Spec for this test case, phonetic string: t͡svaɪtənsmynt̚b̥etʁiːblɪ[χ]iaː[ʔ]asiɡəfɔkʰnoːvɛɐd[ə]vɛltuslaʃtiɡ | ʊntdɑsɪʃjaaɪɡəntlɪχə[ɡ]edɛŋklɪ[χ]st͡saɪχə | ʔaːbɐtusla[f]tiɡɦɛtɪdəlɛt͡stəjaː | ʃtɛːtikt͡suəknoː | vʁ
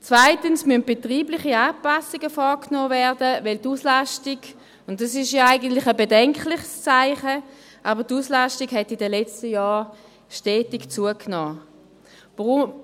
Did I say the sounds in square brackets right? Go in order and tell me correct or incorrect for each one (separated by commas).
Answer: correct, incorrect, correct, incorrect, correct, incorrect